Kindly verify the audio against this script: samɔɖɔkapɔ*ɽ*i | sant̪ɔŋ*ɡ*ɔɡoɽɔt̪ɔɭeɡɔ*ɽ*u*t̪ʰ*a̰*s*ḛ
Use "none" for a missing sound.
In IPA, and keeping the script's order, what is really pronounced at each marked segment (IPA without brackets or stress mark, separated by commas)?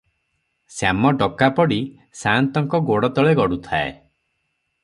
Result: ɽ, k, ɽ, t̪ʰ, none